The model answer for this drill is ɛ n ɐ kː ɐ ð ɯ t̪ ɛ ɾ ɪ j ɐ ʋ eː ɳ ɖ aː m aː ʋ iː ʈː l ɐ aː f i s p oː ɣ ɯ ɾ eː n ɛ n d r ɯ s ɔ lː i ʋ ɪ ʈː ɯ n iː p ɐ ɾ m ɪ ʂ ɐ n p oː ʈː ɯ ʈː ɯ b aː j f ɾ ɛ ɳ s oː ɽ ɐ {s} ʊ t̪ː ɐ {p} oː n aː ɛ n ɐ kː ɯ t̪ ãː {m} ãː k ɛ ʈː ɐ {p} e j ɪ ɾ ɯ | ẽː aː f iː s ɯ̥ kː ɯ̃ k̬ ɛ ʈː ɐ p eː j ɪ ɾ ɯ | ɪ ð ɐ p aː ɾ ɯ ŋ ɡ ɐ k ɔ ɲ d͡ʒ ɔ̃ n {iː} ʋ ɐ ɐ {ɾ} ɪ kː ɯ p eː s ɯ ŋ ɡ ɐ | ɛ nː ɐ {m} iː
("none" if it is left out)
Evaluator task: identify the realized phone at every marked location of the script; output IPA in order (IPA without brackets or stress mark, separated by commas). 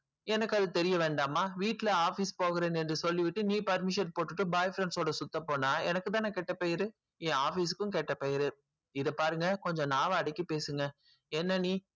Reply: s, p, n, p, aː, ɽ, n